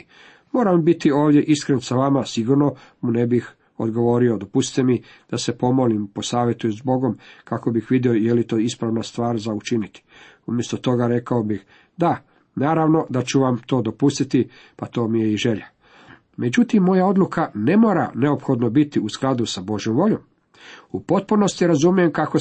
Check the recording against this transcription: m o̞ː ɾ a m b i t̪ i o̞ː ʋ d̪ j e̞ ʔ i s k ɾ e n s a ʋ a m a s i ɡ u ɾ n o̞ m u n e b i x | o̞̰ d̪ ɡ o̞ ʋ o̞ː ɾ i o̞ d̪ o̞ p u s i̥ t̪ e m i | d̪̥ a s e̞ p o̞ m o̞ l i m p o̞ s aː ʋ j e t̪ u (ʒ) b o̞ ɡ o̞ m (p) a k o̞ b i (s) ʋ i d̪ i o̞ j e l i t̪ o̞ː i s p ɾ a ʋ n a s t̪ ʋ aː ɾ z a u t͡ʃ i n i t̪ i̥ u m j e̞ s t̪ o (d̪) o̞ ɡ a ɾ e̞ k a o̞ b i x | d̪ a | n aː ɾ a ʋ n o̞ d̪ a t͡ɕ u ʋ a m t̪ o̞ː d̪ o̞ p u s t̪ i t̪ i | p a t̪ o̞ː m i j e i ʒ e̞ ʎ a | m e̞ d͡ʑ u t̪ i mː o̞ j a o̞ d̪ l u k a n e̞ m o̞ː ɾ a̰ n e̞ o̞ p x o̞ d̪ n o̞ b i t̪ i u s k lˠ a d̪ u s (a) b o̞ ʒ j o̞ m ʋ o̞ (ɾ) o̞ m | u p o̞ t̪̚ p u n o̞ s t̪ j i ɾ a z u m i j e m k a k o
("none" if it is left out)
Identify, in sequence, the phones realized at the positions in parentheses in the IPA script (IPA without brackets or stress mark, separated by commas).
z, k, x, t̪, a, ʎ